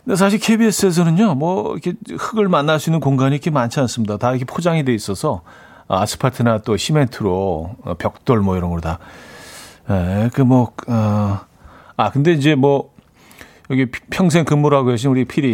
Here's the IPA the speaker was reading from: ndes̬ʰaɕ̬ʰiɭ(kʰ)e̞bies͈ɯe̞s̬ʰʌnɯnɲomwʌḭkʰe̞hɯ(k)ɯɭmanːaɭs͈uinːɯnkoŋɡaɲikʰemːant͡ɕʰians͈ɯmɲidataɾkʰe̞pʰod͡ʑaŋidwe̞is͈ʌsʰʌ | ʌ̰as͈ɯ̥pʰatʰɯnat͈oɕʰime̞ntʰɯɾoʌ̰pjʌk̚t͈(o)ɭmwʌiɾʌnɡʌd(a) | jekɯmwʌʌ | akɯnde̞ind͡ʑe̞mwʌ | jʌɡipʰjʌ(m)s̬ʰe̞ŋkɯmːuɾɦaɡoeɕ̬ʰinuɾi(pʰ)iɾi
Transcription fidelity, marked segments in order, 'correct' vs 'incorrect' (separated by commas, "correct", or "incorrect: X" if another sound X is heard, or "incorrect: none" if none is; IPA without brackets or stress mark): correct, incorrect: ɡ, correct, correct, incorrect: ŋ, correct